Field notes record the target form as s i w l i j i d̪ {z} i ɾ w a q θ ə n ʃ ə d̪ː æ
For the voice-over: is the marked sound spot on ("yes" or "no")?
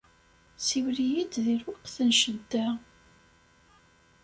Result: no